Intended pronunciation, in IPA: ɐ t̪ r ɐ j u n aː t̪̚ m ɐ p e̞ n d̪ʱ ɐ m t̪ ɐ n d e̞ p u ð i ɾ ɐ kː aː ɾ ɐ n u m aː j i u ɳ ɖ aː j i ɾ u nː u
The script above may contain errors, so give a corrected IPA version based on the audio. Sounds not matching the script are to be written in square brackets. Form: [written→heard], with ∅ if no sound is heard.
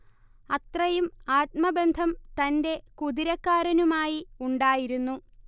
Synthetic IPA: ɐ t̪ r ɐ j u [n→m] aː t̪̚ m ɐ [p→b] e̞ n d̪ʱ ɐ m t̪ ɐ n d e̞ [p→k] u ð i ɾ ɐ kː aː ɾ ɐ n u m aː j i u ɳ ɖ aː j i ɾ u nː u